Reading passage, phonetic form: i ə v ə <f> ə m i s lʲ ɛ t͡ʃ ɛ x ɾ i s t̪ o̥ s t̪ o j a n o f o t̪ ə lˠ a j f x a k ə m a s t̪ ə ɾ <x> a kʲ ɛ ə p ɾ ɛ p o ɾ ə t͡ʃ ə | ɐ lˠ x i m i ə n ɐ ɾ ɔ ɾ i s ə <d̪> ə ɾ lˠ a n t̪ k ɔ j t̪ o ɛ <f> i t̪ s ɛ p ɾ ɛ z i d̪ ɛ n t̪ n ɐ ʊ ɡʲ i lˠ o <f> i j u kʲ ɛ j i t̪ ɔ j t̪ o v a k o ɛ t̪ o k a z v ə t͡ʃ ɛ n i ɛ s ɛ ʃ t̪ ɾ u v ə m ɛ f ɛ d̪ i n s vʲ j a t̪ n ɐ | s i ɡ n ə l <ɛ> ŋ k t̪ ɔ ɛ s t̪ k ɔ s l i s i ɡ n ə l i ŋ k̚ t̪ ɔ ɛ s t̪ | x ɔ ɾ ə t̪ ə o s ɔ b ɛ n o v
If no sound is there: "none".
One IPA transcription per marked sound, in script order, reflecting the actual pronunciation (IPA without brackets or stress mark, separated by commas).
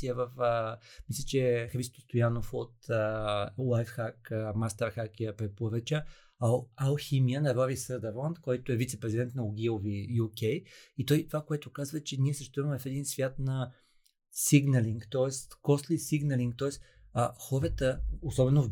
f, x, d̪, v, v, i